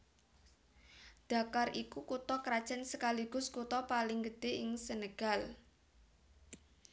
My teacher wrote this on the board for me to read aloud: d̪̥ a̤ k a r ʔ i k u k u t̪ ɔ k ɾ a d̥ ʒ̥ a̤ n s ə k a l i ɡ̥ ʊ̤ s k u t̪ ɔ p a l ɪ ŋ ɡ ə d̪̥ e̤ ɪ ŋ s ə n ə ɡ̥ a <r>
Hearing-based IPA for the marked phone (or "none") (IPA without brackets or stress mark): l